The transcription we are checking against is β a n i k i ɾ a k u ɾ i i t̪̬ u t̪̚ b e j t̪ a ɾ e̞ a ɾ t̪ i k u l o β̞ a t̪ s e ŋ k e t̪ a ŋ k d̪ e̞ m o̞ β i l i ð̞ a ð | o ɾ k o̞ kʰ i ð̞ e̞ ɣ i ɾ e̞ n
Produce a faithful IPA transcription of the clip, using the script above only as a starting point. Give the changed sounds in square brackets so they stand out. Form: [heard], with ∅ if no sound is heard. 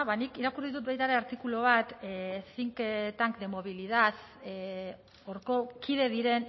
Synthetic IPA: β a n i k i ɾ a k u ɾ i i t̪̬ u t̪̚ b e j t̪ a ɾ e̞ a ɾ t̪ i k u l o β̞ a t̪ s [i] ŋ k e t̪ a ŋ k d̪ e̞ m o̞ β i l i ð̞ a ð | o ɾ k o̞ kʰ i ð̞ e̞ [ð] i ɾ e̞ n